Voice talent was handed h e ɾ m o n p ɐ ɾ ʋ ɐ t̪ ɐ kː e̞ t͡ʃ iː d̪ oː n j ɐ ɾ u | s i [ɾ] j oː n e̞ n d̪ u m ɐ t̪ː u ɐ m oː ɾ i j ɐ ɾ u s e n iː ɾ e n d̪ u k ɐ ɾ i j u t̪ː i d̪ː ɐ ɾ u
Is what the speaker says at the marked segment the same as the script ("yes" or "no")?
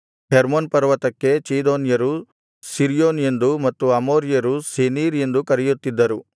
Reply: yes